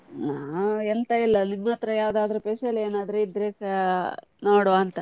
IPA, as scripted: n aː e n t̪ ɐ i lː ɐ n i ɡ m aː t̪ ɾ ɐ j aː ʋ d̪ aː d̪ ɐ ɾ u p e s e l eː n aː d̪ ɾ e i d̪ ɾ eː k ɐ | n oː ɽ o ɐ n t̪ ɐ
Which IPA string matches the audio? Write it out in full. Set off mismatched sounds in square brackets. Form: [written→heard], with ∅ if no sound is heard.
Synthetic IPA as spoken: n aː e n t̪ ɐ i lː ɐ n i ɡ m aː t̪ ɾ ɐ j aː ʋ d̪ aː d̪ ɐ ɾ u p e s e l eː n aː d̪ ɾ e i d̪ ɾ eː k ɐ | n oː ɽ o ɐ n t̪ ɐ